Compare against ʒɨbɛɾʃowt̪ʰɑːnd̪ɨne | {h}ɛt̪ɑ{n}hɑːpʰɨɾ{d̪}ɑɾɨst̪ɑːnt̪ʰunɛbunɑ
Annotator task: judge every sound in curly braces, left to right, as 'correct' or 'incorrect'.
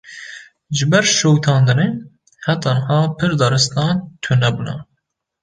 correct, correct, correct

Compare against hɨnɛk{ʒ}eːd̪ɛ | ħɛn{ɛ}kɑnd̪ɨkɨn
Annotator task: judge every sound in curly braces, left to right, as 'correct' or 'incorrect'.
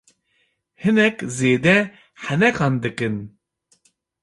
incorrect: z, correct

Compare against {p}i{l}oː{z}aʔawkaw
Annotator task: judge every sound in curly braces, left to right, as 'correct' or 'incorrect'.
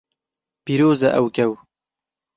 correct, incorrect: ɾ, correct

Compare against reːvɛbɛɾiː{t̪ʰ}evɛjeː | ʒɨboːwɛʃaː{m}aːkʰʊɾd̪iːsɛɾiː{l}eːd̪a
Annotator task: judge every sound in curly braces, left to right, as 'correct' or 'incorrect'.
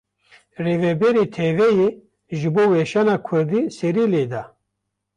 correct, incorrect: n, correct

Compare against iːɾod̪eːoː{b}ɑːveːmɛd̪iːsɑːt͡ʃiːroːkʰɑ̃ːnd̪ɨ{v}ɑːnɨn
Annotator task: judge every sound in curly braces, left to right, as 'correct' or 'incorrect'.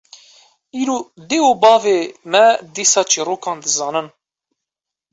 correct, incorrect: z

